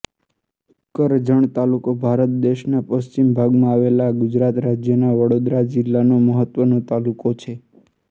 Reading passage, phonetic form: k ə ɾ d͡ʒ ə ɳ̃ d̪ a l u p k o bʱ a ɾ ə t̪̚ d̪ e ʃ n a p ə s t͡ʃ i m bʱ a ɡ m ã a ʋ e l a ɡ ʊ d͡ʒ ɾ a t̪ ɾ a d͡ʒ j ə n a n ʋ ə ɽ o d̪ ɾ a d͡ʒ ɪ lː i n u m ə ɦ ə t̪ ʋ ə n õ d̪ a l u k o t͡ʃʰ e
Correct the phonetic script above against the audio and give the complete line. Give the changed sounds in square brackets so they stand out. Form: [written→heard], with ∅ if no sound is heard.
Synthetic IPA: k ə ɾ d͡ʒ ə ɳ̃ [d̪→t̪] a l u [p→∅] k o bʱ a ɾ ə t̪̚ d̪ e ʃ n a p ə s t͡ʃ i m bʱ a ɡ m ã a ʋ e l a ɡ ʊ d͡ʒ ɾ a t̪ ɾ a d͡ʒ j ə n a [n→∅] ʋ ə ɽ o d̪ ɾ a d͡ʒ ɪ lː [i→a] n [u→o] m ə ɦ ə t̪ ʋ ə n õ [d̪→t̪] a l u k o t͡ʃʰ e